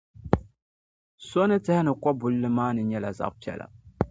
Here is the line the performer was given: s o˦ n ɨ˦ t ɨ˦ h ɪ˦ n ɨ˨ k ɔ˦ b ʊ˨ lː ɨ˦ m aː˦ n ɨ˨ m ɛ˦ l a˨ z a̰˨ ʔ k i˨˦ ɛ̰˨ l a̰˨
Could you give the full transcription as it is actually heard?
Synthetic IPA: s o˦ n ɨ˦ t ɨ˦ h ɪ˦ n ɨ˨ k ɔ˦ b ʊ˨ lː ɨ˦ m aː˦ n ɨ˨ ɲ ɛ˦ l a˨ z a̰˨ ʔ p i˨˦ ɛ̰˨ l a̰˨